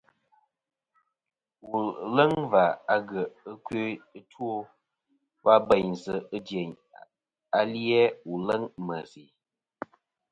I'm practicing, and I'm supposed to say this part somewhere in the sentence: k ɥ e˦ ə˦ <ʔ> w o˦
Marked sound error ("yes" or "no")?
yes